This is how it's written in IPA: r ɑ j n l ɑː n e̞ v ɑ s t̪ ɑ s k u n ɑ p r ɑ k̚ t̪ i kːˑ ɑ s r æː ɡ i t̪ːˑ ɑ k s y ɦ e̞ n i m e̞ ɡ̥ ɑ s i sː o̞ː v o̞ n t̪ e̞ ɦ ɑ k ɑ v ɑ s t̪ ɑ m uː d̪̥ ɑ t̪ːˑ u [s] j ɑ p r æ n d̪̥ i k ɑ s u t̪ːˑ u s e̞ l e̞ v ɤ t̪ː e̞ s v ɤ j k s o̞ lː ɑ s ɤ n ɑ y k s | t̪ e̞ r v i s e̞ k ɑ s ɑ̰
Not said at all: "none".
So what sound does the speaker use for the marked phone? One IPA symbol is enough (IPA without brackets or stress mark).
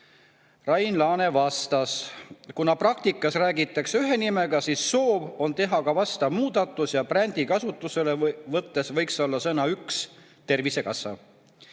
s